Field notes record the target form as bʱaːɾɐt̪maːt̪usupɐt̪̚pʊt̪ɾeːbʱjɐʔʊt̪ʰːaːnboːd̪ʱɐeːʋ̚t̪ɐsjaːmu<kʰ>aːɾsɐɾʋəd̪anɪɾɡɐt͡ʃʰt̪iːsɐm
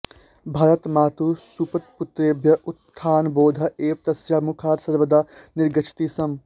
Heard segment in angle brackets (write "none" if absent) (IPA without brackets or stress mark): kʰ